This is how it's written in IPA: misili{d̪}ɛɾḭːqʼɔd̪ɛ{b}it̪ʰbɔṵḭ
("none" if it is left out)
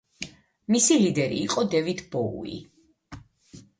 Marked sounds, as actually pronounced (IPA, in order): d̪, v

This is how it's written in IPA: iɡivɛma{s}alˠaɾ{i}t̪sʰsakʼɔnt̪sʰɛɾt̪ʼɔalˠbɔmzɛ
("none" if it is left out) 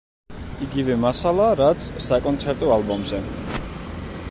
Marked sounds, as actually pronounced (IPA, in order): s, a

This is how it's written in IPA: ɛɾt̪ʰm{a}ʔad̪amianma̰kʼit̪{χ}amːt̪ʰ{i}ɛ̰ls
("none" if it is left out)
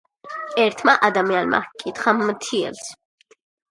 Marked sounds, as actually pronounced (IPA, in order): a, χ, i

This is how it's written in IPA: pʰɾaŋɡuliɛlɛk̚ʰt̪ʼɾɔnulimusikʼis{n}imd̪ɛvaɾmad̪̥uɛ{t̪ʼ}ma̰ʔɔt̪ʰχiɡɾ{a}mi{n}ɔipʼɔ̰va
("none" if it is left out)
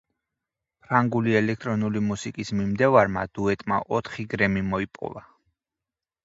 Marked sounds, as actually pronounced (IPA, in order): m, t̪ʼ, ɛ, m

